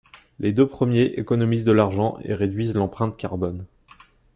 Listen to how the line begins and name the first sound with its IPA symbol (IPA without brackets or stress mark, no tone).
l